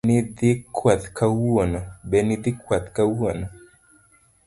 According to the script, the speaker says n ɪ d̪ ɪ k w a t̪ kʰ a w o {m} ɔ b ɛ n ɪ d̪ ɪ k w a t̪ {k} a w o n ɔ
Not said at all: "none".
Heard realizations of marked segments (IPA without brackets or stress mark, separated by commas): n, k